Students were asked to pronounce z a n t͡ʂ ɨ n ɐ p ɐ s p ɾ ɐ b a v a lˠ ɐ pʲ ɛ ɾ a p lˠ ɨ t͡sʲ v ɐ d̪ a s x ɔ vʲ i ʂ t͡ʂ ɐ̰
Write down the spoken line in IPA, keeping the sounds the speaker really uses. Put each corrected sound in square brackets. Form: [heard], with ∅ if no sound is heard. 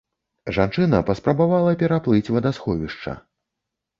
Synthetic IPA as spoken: [ʐ] a n t͡ʂ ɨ n ɐ p ɐ s p ɾ ɐ b a v a lˠ ɐ pʲ ɛ ɾ a p lˠ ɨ t͡sʲ v ɐ d̪ a s x ɔ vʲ i ʂ t͡ʂ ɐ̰